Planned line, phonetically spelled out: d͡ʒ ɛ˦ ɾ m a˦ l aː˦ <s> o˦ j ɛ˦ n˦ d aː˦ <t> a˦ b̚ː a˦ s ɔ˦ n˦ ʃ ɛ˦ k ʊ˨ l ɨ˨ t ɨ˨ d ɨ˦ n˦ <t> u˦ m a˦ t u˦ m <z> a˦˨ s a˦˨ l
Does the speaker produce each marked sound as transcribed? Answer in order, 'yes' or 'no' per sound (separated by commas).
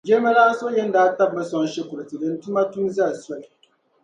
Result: yes, yes, yes, yes